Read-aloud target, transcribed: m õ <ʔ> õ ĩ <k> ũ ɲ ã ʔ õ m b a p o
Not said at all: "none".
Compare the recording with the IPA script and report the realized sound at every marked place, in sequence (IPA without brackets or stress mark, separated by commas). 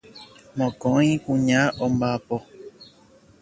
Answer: k, k